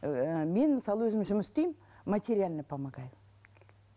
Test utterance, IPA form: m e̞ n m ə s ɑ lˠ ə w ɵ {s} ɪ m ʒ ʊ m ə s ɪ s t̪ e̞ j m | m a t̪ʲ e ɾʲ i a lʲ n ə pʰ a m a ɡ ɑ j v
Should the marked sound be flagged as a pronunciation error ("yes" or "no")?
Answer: yes